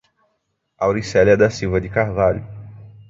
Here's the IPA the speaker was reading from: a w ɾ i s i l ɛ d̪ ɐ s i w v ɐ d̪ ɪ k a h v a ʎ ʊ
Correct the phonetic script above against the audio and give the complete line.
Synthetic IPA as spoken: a w ɾ i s ɛ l ɛ d̪ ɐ s i w v ɐ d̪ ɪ k a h v a ʎ ʊ